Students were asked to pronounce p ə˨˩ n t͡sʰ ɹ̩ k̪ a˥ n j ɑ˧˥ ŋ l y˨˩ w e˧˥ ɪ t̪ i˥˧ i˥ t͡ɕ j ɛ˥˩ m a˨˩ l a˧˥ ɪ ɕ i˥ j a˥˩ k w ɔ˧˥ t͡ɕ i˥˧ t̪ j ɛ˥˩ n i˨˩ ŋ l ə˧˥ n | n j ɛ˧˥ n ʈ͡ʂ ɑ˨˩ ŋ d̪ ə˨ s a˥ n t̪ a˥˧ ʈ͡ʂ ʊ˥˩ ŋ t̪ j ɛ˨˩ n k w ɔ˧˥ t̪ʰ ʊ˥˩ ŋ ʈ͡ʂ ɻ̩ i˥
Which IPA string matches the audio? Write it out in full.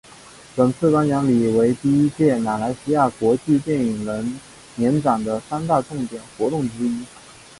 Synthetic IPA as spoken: p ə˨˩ n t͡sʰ ɹ̩ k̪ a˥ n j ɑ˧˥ ŋ l i˨˩ w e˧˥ ɪ t̪ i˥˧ i˥ t͡ɕ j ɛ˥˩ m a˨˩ l a˧˥ ɪ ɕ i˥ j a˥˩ k w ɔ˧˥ t͡ɕ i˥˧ t̪ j ɛ˥˩ n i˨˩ ŋ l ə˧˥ n | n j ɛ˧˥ n ʈ͡ʂ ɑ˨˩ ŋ d̪ ə˦ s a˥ n t̪ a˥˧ ʈ͡ʂ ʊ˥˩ ŋ t̪ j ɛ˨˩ n x w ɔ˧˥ t̪ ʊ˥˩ ŋ ʈ͡ʂ ɻ̩ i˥